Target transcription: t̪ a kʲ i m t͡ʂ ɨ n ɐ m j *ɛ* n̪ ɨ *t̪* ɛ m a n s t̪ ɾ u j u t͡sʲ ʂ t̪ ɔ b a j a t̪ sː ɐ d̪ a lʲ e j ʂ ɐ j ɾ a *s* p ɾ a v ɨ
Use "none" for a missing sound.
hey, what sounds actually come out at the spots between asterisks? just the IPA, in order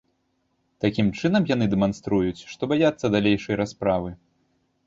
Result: a, d̪, s

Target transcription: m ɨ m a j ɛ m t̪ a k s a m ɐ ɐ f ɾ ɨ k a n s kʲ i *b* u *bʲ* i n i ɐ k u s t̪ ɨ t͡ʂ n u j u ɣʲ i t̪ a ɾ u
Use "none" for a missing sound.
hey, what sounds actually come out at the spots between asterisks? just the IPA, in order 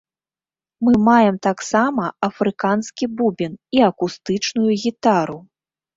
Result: b, bʲ

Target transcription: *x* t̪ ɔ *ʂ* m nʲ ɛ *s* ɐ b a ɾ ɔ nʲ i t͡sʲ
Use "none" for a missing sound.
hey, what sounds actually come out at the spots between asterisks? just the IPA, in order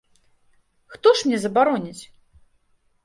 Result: x, ʂ, z

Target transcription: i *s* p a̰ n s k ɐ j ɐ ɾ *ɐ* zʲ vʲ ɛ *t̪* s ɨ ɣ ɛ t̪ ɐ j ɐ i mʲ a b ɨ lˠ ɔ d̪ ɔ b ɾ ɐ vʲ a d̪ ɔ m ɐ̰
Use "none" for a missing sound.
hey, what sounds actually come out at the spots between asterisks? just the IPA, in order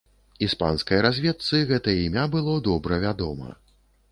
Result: s, a, t̪

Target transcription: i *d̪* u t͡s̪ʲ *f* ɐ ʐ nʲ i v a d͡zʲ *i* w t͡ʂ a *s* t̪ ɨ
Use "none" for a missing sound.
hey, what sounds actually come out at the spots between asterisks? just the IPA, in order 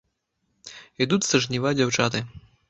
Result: d̪, s, a, none

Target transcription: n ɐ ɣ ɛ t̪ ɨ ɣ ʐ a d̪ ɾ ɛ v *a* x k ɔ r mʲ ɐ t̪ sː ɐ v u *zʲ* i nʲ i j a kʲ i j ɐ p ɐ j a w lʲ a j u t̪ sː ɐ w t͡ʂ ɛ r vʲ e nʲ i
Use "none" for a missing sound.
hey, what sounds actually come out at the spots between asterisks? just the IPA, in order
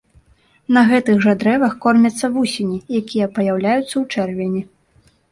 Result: ɐ, sʲ

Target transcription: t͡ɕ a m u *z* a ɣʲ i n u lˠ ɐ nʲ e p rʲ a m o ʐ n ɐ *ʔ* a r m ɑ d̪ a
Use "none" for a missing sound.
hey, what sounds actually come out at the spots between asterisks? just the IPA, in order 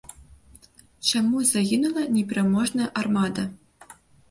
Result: z, ʔ

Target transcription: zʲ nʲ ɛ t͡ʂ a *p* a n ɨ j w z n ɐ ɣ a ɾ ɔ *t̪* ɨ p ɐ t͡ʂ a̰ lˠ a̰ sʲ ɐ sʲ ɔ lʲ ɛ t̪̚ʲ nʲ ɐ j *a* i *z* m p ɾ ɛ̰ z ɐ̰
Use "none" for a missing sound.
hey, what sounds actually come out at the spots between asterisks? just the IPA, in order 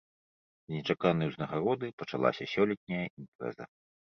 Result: k, d̪, ɐ, none

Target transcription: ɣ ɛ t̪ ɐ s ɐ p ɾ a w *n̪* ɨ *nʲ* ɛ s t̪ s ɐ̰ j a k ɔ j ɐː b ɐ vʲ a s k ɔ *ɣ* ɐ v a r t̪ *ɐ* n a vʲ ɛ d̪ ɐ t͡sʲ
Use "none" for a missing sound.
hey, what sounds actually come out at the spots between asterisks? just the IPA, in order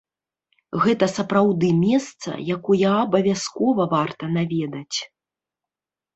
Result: d̪, mʲ, v, ɐ

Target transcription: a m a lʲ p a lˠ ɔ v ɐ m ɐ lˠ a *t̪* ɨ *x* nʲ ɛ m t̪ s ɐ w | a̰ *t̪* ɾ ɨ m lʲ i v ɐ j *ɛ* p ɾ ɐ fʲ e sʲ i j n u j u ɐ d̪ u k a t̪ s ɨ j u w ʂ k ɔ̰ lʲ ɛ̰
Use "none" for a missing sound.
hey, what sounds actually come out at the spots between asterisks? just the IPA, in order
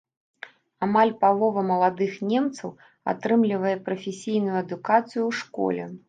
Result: d̪, x, t̪, ɛ

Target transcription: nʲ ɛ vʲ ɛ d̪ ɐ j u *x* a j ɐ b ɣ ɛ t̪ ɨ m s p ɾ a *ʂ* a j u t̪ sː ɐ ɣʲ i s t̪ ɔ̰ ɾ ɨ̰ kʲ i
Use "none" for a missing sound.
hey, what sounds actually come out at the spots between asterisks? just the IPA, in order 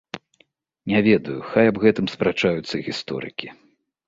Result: x, t͡ʂ

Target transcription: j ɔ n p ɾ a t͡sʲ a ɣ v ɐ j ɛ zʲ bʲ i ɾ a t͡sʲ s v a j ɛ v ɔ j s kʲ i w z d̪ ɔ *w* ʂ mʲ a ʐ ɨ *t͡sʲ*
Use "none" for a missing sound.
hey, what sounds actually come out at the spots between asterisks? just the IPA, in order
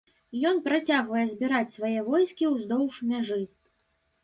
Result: w, none

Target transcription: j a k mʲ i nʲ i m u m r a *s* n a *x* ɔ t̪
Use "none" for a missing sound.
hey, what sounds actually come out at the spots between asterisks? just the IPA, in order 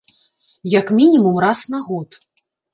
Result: s, ɣ

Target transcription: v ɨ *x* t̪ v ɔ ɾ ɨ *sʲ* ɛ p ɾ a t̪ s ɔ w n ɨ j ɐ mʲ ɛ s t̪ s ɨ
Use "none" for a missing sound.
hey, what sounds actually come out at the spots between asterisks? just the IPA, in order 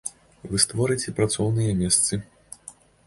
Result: s, t͡sʲ

